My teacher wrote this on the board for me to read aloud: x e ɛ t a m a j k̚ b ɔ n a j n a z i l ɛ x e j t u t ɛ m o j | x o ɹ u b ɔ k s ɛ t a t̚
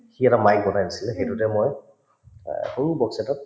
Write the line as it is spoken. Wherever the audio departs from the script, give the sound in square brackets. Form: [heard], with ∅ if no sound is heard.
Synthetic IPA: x [i] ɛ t a m a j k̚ b ɔ n a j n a [s] i l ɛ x e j t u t ɛ m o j | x o ɹ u b ɔ k s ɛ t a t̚